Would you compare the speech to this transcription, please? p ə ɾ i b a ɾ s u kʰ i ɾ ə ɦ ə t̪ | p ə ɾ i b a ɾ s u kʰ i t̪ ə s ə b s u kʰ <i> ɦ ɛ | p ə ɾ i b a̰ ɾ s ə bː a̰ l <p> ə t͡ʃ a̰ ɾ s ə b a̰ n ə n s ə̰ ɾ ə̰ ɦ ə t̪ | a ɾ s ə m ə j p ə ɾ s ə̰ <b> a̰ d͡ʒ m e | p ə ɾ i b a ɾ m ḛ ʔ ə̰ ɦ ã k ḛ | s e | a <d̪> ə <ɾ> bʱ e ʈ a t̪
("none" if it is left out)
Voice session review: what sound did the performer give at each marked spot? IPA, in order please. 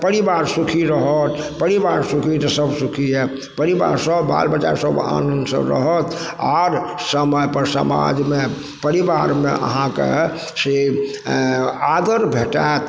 i, b, m, d̪, ɾ

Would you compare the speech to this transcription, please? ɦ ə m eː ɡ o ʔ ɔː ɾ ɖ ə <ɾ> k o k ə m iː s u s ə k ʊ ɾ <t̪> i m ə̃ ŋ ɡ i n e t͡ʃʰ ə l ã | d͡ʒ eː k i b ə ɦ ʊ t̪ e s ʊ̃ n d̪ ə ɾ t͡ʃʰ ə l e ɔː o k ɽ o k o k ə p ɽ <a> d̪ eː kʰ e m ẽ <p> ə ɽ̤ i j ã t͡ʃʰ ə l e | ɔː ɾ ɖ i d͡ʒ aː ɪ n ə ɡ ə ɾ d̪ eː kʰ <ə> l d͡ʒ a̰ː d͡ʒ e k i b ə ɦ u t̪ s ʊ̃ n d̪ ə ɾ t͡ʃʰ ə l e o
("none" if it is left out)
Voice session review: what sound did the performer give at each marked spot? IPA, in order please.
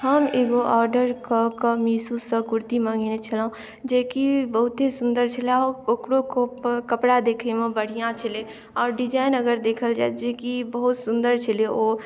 ɾ, t̪, a, b, ə

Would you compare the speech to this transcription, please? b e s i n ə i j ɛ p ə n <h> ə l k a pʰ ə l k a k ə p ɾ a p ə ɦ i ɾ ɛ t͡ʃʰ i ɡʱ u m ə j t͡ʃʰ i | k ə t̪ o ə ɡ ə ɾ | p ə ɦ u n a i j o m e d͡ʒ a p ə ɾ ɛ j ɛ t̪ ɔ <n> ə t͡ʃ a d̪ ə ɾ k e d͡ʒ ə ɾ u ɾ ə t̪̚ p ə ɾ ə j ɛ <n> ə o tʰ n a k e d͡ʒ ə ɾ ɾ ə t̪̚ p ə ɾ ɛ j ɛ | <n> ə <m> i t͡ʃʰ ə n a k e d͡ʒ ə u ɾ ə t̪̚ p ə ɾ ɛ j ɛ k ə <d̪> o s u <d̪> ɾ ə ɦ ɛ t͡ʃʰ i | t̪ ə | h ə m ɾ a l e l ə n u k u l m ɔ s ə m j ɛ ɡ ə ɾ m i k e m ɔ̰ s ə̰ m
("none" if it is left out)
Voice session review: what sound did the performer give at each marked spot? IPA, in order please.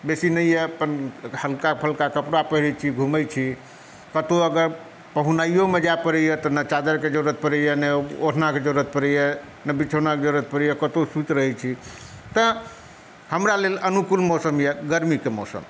h, n, n, n, b, t̪, t̪

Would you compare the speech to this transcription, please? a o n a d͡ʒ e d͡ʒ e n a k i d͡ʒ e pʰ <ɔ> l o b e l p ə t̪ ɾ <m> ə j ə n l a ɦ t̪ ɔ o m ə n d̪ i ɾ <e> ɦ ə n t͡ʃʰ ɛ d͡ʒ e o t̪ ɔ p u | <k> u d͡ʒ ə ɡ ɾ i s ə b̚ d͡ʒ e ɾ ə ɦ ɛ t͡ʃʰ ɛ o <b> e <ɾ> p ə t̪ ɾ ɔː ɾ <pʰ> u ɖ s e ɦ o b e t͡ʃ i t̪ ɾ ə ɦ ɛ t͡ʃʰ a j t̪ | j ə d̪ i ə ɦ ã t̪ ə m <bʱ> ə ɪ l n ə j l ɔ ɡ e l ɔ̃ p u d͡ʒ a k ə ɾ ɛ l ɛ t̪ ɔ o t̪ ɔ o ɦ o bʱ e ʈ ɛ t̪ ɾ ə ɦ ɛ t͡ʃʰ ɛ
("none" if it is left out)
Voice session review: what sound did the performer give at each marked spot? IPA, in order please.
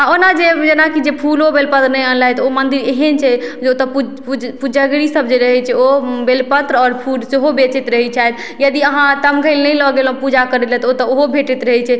u, n, e, p, b, l, pʰ, ɡʱ

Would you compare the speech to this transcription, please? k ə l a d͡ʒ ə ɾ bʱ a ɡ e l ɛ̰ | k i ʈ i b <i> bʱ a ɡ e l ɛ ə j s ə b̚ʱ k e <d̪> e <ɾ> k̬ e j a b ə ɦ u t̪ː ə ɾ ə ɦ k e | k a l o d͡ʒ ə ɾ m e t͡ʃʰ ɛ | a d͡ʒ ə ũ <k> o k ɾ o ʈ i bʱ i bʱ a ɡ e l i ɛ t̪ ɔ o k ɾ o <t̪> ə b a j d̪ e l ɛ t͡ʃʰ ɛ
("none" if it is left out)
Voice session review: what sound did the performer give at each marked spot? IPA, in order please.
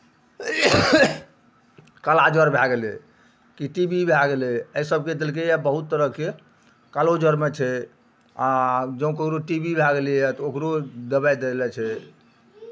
i, d̪, l, k, d̪

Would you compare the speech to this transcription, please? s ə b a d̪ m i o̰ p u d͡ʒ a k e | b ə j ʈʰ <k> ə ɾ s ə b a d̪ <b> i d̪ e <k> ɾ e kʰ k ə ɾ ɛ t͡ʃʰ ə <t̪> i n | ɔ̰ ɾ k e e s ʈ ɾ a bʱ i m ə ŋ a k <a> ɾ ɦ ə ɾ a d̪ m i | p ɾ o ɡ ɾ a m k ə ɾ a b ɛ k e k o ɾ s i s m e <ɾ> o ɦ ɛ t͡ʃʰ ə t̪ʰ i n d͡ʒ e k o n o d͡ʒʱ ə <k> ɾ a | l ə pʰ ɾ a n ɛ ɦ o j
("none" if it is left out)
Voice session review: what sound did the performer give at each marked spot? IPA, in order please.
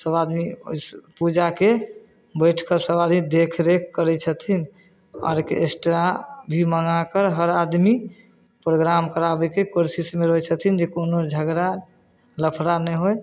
k, m, kʰ, t̪ʰ, ə, ɾ, ɡ

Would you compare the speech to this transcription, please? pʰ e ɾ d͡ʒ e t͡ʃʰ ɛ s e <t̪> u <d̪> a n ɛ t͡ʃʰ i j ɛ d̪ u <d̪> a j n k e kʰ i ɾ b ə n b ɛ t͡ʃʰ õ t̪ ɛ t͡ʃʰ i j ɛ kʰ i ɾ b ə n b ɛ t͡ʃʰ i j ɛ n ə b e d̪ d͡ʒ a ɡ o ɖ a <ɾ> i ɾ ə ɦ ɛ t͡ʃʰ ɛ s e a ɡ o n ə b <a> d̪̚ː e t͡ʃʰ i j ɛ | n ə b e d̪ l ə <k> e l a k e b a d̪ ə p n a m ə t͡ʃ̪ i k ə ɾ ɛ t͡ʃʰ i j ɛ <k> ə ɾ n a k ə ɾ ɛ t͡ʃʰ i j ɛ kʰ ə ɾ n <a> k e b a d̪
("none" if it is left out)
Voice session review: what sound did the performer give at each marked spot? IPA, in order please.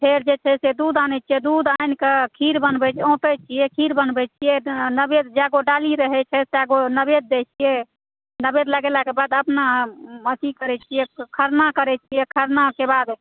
d̪, d̪, d̪, l, e, ɡ, kʰ, a

